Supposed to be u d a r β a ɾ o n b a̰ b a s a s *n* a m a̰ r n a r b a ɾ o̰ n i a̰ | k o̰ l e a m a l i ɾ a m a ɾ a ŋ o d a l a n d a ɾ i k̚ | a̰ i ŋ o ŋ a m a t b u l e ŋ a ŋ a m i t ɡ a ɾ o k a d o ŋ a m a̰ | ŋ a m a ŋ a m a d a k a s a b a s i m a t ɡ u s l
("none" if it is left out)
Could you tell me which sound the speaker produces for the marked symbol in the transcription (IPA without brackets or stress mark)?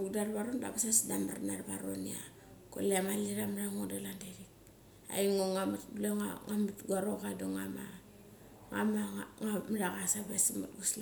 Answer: d